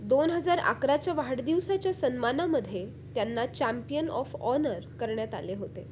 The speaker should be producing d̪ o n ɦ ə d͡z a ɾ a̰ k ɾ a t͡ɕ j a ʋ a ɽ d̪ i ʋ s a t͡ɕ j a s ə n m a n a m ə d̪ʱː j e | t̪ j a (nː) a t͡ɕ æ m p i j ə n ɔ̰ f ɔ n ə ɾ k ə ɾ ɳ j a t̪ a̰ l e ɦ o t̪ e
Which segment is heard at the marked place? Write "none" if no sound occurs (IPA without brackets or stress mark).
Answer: nː